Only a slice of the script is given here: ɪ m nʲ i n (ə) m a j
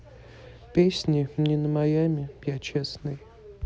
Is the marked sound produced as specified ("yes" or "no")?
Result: yes